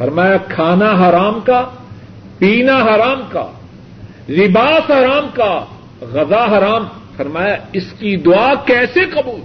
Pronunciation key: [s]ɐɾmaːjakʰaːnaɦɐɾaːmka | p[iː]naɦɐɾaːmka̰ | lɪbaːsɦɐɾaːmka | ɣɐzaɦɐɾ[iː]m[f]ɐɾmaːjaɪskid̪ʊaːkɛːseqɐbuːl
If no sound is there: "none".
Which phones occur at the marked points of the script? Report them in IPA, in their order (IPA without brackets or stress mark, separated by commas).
f, iː, aː, f